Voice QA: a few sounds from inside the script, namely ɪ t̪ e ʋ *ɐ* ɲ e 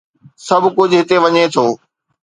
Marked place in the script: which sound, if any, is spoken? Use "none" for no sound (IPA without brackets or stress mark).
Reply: ɐ